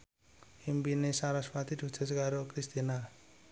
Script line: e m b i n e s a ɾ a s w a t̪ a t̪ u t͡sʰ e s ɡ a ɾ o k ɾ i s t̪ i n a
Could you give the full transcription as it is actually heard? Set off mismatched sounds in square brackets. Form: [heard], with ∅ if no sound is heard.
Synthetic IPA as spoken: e m b i n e s a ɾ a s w a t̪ [i] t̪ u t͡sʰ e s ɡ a ɾ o k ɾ i s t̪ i n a